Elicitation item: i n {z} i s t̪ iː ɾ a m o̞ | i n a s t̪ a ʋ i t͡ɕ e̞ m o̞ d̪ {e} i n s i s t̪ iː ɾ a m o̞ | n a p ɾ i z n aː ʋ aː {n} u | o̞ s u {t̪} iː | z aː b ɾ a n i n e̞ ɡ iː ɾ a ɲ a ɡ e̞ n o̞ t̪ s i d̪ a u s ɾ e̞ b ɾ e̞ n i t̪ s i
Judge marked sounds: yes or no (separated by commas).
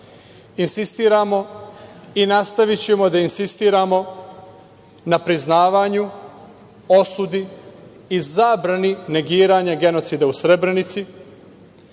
no, no, no, no